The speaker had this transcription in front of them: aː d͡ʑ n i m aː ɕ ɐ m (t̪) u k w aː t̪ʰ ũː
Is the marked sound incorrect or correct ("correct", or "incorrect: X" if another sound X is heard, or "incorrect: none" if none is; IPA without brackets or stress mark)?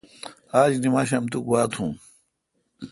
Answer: correct